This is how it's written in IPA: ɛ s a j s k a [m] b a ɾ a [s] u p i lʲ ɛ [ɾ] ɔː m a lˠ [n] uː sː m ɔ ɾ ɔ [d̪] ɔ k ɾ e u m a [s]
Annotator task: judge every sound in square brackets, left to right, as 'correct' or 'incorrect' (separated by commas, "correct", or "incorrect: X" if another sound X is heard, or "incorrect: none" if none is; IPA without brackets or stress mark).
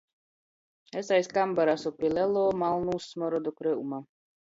correct, correct, incorrect: l, correct, correct, incorrect: none